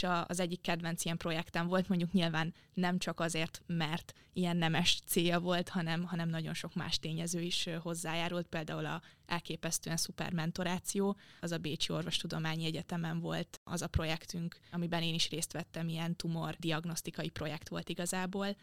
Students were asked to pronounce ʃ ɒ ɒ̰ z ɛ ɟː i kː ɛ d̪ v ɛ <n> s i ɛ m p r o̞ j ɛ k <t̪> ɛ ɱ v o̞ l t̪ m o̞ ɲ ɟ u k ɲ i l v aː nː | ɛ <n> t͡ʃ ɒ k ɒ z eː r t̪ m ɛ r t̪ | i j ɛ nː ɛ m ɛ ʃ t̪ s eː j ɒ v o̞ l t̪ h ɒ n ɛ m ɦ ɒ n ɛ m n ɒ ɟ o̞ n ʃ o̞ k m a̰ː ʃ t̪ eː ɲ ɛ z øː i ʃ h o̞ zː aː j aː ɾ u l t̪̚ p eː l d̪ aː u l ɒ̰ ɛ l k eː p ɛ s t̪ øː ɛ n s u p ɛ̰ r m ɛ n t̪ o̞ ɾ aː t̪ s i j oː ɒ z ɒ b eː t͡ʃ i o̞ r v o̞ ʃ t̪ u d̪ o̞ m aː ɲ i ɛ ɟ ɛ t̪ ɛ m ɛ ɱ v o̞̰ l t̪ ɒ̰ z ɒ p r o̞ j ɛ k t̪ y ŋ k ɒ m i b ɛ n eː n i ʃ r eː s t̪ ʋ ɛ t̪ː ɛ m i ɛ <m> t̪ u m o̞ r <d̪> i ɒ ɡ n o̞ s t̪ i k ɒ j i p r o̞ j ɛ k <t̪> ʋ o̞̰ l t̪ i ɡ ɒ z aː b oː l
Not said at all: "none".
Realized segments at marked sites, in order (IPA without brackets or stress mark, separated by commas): n, t̪, m, n, d̪, t̪